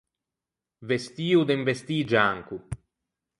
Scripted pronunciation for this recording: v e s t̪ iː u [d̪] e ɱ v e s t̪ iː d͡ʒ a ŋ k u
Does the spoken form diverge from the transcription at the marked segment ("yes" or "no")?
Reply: no